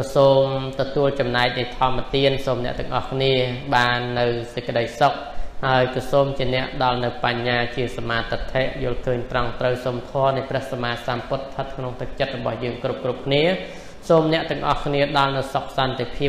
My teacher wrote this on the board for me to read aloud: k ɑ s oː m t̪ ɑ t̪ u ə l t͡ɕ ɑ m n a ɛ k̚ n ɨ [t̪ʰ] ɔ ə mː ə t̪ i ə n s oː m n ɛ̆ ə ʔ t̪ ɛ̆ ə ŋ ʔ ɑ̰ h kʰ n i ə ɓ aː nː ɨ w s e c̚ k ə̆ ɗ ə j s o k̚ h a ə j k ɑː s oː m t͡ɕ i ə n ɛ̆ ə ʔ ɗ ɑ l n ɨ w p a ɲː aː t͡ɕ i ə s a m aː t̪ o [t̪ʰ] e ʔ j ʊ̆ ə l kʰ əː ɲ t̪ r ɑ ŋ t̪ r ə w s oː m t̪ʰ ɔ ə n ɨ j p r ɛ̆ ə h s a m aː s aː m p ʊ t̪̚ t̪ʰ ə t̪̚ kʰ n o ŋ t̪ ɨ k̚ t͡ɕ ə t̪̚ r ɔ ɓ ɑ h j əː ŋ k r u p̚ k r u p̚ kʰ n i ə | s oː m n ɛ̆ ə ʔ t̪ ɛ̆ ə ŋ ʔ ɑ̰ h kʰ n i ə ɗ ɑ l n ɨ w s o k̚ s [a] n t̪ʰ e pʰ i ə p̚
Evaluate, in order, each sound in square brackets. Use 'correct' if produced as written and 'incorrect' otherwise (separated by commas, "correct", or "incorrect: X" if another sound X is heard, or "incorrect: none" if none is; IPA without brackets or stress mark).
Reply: correct, correct, incorrect: ɑ